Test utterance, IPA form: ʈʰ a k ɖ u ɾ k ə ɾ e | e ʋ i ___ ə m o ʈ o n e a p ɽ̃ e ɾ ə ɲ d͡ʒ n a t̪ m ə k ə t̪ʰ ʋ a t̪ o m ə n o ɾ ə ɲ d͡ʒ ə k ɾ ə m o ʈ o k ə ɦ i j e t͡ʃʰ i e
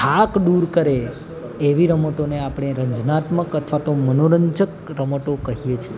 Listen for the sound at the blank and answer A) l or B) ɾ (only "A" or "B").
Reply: B